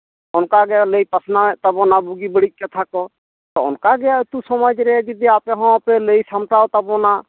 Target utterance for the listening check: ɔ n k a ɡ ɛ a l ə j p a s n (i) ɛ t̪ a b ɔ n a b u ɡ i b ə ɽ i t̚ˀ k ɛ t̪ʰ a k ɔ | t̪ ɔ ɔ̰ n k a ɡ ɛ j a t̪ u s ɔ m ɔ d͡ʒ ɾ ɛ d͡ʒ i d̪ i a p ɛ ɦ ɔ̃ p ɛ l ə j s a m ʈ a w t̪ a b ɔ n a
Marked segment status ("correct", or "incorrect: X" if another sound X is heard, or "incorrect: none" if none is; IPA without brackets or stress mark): incorrect: a